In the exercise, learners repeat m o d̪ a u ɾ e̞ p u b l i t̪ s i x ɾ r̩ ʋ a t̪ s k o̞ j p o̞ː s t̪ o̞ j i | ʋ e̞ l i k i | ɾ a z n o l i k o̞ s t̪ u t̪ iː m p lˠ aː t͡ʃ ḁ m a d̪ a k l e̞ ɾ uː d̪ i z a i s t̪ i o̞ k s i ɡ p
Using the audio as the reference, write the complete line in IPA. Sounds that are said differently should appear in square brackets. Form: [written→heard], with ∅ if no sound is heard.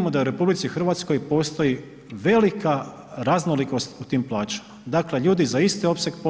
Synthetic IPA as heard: m o d̪ a u ɾ e̞ p u b l i t̪ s i x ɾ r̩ ʋ a t̪ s k o̞ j p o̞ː s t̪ o̞ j i | ʋ e̞ l i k [i→a] | ɾ a z n o l i k o̞ s t̪ u t̪ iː m p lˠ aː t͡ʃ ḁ m a d̪ a k l e̞ [ɾ→ʎ] uː d̪ i z a i s t̪ i o̞ [k→p] s [i→e] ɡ p